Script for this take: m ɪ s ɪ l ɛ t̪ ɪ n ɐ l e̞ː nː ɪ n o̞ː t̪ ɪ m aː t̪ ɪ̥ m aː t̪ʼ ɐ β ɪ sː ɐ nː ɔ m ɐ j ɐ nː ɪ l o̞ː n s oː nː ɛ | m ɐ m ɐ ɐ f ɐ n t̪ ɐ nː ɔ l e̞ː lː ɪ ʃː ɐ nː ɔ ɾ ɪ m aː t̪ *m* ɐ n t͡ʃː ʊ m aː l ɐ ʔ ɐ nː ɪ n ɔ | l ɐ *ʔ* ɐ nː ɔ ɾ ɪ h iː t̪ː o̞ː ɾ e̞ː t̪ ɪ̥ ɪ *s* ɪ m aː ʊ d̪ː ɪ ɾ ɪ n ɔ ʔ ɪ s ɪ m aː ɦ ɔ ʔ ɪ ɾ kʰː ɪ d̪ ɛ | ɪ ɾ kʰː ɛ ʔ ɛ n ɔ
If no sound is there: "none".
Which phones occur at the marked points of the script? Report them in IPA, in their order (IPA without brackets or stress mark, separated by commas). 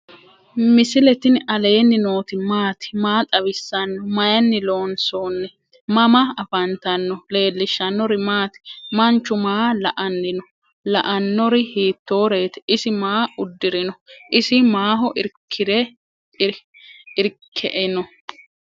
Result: m, ʔ, s